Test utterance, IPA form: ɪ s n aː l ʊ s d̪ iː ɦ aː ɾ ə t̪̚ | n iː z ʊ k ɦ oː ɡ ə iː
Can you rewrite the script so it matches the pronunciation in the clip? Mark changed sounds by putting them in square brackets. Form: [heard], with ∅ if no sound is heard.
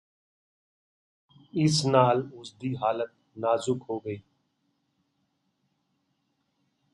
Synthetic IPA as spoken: ɪ s n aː l ʊ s d̪ iː ɦ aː [l] ə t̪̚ | n [aː] z ʊ k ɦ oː ɡ ə iː